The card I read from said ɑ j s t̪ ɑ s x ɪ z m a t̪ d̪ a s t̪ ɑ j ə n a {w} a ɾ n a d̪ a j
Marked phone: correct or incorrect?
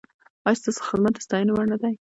correct